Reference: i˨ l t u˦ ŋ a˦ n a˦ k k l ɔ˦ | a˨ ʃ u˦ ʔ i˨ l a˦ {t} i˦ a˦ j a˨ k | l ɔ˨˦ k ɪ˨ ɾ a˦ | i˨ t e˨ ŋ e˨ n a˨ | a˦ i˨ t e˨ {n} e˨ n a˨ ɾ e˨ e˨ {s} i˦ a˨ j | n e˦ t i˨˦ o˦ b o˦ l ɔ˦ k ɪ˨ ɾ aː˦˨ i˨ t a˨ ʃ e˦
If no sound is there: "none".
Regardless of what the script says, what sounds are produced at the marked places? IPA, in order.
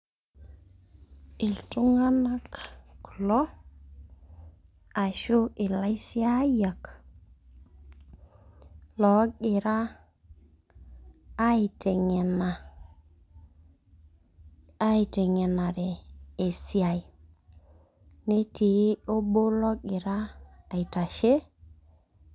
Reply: s, ŋ, s

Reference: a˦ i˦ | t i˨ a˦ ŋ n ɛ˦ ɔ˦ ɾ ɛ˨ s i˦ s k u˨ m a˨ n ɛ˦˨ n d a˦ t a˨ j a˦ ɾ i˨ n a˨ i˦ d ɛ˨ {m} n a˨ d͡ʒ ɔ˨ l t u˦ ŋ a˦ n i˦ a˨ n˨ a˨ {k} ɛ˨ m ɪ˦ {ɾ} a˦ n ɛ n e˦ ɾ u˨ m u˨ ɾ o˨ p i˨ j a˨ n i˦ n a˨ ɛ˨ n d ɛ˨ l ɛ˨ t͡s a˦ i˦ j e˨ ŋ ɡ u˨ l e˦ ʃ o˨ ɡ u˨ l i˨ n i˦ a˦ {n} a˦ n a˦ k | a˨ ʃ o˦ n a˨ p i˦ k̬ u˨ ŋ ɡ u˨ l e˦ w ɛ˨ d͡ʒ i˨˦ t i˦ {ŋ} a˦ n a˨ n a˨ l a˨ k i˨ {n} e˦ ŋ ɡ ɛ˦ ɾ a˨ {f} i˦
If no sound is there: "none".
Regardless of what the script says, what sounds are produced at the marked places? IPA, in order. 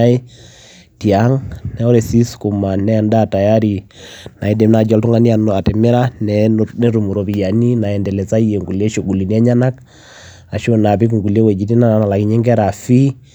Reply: m, t, ɾ, ɲ, n, ɲ, f

